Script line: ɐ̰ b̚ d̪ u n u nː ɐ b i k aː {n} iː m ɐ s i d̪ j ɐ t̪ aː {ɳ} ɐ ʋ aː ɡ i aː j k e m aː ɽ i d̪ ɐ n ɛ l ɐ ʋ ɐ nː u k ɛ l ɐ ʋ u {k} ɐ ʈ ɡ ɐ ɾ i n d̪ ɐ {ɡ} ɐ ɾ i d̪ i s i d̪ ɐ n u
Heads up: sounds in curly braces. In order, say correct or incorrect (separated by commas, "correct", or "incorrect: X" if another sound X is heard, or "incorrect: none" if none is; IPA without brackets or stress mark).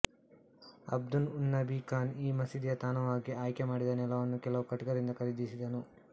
correct, incorrect: n, correct, incorrect: k